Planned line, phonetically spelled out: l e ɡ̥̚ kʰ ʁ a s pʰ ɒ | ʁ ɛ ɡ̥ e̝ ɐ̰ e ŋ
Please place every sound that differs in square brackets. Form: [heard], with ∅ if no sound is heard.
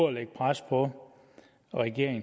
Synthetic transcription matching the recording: l e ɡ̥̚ [pʰ] ʁ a s pʰ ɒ | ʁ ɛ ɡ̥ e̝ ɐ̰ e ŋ

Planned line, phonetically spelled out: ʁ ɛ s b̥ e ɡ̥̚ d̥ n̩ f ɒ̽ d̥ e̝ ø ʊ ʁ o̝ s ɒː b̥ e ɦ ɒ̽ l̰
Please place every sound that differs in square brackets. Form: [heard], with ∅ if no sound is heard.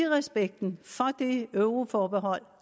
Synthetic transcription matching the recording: ʁ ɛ s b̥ e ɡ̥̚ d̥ n̩ f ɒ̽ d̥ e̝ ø ʊ ʁ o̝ [f] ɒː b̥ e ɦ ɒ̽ l̰

